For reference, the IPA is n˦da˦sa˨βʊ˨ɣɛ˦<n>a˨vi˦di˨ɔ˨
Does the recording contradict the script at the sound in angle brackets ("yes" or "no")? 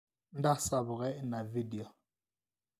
no